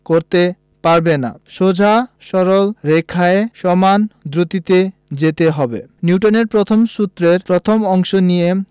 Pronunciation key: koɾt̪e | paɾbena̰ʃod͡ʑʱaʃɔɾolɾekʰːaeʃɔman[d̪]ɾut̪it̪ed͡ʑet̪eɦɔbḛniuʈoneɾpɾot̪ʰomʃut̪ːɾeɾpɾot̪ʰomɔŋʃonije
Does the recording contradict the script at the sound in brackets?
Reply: no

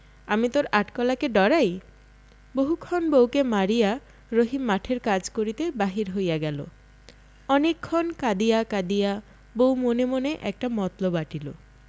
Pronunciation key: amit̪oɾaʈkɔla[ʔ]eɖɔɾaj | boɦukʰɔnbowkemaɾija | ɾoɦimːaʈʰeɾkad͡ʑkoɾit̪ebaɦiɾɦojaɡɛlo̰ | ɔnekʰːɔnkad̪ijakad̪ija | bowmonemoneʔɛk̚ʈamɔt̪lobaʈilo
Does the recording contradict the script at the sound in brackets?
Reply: yes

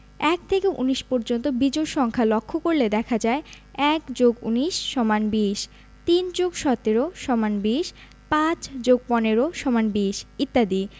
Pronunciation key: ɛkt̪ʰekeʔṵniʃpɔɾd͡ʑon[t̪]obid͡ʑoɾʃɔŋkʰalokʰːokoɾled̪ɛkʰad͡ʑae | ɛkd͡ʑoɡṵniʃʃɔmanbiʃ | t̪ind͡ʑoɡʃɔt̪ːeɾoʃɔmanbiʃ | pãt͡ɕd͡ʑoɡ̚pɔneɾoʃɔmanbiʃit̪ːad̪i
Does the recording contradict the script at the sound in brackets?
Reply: no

